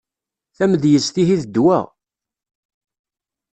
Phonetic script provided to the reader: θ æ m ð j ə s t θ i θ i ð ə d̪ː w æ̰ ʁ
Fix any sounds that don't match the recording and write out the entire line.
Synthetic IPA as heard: θ æ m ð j ə s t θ i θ i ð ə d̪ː w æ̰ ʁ